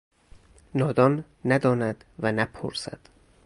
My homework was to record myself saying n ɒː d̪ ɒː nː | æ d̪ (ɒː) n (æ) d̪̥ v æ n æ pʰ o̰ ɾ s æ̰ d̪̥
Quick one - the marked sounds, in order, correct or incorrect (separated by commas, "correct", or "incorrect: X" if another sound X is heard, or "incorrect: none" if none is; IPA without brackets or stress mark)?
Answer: correct, correct